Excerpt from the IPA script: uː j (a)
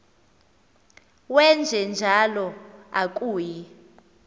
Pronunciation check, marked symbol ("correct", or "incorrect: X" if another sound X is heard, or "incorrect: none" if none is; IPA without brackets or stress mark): incorrect: i